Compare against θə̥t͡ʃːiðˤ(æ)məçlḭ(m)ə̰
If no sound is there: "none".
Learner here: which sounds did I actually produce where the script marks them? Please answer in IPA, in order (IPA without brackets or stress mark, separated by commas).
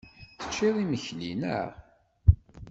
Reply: i, n